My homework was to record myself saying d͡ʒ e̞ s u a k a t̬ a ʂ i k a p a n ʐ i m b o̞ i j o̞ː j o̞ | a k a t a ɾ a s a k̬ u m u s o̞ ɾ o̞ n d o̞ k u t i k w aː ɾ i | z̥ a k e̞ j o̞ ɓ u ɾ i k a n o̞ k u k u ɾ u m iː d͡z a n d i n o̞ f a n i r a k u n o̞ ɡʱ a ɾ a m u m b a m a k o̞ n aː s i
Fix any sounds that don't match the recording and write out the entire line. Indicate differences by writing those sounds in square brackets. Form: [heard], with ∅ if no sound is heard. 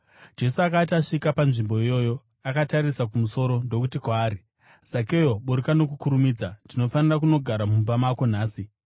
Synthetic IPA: d͡ʒ e̞ s u a k a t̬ a ʂ i k a p a n ʐ i m b o̞ i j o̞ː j o̞ | a k a t a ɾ [i] s a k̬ u m u s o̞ ɾ o̞ n d o̞ k u t i k w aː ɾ i | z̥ a k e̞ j o̞ ɓ u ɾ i k a n o̞ k u k u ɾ u m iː d͡z a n d i n o̞ f a n i r a k u n o̞ ɡʱ a ɾ a m u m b a m a k o̞ n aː s i